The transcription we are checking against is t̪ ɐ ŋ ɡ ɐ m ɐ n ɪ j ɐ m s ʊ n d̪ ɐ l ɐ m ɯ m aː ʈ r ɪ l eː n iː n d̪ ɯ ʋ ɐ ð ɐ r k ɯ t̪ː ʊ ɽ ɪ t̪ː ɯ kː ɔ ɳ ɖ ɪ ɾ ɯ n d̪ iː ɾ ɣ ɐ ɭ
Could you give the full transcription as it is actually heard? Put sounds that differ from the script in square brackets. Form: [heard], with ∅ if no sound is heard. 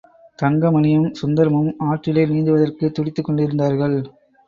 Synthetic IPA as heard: t̪ ɐ ŋ ɡ ɐ m ɐ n ɪ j ɐ m s ʊ n d̪ ɐ [ɾ] ɐ m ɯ m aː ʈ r ɪ l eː n iː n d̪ ɯ ʋ ɐ ð ɐ r k ɯ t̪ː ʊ ɽ ɪ t̪ː ɯ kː ɔ ɳ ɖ ɪ ɾ ɯ n d̪ [aː] ɾ ɣ ɐ ɭ